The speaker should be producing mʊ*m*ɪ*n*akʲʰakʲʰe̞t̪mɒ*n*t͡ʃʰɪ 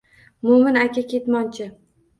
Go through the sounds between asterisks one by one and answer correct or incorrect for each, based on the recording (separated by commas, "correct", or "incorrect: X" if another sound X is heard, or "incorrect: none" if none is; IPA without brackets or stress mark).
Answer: correct, correct, correct